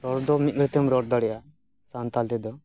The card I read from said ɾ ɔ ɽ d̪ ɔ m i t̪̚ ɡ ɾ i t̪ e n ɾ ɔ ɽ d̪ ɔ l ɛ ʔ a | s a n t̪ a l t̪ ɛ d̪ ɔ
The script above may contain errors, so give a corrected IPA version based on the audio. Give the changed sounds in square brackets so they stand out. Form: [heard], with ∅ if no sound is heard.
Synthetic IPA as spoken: ɾ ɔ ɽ d̪ ɔ m i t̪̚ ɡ ɾ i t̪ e [m] ɾ ɔ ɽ d̪ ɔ [ɽ] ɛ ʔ a | s a n t̪ a l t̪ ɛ d̪ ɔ